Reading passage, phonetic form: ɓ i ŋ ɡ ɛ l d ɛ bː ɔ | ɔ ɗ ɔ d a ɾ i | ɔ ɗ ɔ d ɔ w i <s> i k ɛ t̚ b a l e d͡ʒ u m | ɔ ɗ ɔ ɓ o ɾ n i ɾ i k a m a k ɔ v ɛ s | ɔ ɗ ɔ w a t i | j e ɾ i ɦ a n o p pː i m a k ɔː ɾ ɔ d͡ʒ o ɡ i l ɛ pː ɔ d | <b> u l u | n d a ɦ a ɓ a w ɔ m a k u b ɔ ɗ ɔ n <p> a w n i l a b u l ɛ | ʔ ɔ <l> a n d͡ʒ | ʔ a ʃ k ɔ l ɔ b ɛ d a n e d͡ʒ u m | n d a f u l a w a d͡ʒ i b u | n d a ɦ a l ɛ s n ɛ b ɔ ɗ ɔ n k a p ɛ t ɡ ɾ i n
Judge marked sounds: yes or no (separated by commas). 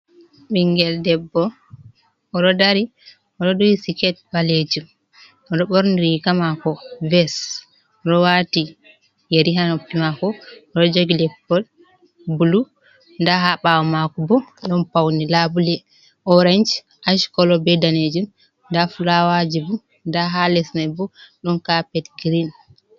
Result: yes, yes, yes, no